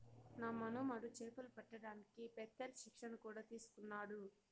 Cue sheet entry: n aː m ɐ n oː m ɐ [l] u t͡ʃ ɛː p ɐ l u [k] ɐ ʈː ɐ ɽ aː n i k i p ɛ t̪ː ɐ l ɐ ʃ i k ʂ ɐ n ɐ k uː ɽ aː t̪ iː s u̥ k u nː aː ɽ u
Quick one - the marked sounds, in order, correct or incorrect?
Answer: incorrect, incorrect

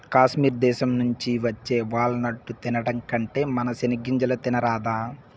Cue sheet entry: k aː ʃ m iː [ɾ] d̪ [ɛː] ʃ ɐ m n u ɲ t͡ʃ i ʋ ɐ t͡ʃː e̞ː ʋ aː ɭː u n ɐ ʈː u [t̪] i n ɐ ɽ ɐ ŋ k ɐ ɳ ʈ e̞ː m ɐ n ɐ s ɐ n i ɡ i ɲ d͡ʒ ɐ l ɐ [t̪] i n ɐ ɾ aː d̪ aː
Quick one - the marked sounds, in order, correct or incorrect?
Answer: correct, correct, correct, correct

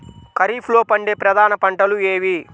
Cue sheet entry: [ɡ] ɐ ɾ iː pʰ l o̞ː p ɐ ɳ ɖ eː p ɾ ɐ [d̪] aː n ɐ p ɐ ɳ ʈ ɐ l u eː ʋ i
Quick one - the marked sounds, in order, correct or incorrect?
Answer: incorrect, correct

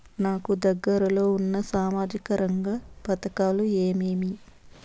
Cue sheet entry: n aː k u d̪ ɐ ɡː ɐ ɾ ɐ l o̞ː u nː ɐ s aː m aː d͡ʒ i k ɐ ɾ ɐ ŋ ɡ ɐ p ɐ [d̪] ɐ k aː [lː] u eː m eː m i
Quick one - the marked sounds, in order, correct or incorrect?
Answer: incorrect, incorrect

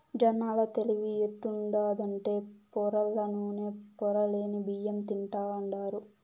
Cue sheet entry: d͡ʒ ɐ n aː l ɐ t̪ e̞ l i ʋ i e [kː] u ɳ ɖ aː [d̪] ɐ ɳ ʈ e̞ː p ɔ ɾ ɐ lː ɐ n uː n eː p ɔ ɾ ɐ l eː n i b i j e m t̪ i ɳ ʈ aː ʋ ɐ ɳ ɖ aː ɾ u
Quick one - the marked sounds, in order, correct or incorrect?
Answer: incorrect, correct

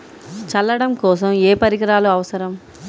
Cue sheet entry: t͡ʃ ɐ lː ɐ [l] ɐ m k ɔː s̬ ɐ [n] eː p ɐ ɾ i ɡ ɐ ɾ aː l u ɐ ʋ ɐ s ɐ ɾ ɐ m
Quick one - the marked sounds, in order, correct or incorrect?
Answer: incorrect, incorrect

